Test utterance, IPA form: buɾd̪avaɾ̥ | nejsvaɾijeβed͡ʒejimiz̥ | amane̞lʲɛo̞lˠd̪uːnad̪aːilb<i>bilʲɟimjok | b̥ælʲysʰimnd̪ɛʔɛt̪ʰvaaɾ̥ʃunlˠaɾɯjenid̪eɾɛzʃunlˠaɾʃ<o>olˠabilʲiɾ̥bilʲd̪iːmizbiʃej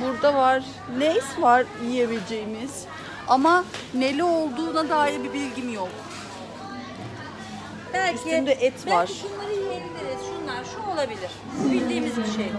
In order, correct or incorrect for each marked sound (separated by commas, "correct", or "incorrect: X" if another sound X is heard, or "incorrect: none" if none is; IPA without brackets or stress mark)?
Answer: correct, incorrect: u